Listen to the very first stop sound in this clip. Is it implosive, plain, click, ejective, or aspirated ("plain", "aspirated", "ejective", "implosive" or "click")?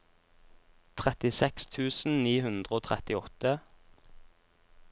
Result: aspirated